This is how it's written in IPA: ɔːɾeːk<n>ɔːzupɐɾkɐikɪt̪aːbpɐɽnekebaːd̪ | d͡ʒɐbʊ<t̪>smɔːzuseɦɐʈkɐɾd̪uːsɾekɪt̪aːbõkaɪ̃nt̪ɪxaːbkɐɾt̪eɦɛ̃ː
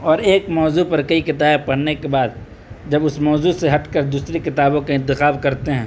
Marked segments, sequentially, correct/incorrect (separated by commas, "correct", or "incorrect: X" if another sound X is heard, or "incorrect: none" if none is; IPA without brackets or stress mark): incorrect: m, incorrect: none